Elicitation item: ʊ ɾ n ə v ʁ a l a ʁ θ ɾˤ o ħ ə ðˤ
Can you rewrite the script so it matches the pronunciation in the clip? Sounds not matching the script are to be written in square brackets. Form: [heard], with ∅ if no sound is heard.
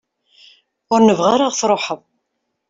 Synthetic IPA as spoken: ʊ ɾ n ə v ʁ a [ɾ] a ʁ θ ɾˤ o ħ ə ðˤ